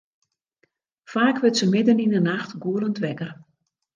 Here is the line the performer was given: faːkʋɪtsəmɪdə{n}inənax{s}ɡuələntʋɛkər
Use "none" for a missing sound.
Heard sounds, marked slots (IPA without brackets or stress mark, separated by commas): n, t